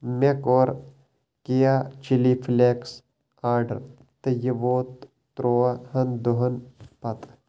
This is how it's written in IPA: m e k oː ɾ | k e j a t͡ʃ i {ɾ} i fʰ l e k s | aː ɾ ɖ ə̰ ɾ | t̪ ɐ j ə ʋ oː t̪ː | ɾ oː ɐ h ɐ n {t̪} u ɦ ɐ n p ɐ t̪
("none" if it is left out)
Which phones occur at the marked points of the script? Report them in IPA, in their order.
l, d̪

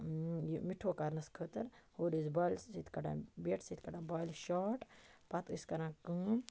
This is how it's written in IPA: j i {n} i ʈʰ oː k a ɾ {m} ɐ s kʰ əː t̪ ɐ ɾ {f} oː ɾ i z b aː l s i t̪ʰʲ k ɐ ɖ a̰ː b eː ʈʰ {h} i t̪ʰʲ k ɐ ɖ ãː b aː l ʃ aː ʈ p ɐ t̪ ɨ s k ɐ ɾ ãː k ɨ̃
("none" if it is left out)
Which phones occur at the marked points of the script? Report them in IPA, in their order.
m, n, h, s

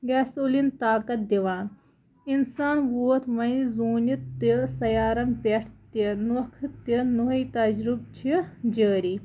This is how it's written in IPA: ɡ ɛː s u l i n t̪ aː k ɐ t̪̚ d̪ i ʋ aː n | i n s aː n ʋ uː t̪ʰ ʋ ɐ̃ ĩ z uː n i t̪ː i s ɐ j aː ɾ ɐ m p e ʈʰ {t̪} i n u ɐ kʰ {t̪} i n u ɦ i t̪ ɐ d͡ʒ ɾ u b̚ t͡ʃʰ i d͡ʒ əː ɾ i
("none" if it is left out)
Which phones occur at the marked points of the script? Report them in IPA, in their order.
t̪, t̪

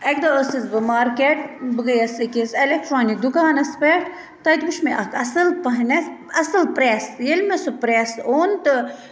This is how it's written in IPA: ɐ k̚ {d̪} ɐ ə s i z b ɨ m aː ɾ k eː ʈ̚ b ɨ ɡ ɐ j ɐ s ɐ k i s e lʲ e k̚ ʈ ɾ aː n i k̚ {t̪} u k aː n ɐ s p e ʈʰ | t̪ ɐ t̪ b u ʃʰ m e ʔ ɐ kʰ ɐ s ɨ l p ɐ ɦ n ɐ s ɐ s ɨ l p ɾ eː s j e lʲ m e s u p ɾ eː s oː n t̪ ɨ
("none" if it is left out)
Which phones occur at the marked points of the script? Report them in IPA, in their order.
d̪, d̪

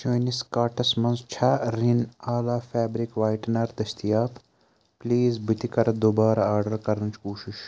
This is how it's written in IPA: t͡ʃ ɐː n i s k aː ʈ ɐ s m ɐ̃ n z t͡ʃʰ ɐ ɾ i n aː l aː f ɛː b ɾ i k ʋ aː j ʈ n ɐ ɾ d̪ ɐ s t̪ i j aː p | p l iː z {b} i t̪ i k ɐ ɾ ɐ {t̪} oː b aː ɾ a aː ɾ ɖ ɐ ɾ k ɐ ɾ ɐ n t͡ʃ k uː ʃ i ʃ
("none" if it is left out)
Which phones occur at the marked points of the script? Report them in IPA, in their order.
b, d̪

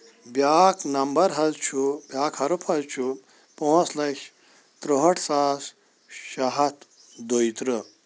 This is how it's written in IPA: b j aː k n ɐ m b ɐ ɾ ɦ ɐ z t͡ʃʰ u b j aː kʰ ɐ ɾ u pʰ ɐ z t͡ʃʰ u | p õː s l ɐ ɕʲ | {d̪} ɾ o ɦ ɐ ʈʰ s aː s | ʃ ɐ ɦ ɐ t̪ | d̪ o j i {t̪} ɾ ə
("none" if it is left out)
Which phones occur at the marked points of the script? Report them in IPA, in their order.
t̪, t̪

